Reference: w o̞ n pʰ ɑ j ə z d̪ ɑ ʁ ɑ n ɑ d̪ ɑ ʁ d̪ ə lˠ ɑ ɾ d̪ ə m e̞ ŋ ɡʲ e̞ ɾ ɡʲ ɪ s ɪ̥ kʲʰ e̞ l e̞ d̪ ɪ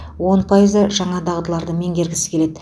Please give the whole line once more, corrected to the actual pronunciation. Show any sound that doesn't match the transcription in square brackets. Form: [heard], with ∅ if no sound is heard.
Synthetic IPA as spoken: w o̞ n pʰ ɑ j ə z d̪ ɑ [ʒ] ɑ [ɴ] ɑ d̪ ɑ ʁ d̪ ə lˠ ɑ ɾ d̪ ə m e̞ ŋ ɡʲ e̞ ɾ ɡʲ ɪ s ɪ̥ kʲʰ e̞ l e̞ d̪ ɪ